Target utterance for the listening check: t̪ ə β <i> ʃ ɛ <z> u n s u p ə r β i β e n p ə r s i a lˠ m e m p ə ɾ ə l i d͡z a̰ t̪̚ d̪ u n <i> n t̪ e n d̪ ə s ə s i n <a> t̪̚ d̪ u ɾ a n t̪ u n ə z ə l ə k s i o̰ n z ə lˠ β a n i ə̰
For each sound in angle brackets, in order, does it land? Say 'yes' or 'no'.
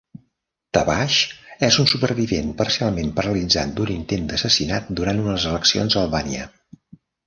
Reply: no, yes, yes, yes

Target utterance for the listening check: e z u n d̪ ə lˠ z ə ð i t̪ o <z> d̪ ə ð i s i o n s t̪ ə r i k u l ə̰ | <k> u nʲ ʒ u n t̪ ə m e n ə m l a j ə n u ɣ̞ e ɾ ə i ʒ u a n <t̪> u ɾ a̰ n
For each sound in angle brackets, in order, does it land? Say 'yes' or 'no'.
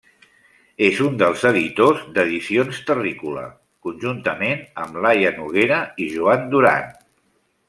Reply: yes, yes, no

